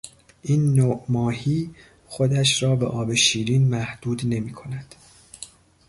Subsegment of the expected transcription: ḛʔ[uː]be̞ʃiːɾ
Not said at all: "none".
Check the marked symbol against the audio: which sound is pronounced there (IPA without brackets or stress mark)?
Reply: ɒː